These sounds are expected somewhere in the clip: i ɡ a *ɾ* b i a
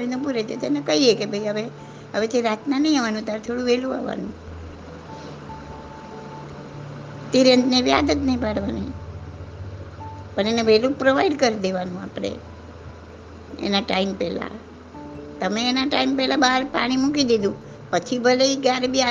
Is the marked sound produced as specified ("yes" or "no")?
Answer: yes